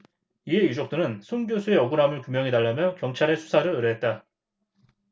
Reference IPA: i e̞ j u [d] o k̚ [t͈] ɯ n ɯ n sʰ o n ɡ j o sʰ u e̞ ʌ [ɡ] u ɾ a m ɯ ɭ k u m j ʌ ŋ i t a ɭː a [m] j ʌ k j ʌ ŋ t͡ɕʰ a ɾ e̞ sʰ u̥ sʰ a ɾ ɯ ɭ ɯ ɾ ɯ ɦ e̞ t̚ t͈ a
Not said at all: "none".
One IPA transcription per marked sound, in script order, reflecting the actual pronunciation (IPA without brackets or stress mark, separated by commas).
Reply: d͡ʑ, t͈, ɡ, m